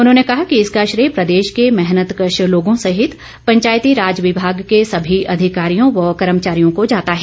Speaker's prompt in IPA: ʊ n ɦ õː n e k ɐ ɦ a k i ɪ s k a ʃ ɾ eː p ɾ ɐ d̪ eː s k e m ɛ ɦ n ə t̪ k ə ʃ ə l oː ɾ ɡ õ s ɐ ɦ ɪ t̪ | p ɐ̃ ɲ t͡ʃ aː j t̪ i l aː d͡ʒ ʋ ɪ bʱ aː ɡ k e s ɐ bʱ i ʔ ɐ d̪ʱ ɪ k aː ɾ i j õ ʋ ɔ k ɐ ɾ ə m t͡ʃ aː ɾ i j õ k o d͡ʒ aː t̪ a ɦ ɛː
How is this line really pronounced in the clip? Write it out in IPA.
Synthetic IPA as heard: ʊ n ɦ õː n e k ɐ ɦ a k i ɪ s k a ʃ ɾ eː p ɾ ɐ d̪ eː ʃ k e m ɛ ɦ n ə t̪ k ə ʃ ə l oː ɡ õ s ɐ ɦ ɪ t̪ | p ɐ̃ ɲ t͡ʃ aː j t̪ i ɾ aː d͡ʒ ʋ ɪ bʱ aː ɡ k e s ɐ bʱ i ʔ ɐ d̪ʱ ɪ k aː ɾ i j õ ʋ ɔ k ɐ ɾ ə m t͡ʃ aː ɾ i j õ k o d͡ʒ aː t̪ a ɦ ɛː